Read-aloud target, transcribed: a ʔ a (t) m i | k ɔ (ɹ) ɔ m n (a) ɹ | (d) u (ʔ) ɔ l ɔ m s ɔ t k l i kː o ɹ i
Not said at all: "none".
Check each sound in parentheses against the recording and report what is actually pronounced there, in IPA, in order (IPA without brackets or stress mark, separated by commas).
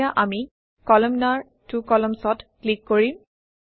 none, l, a, t, k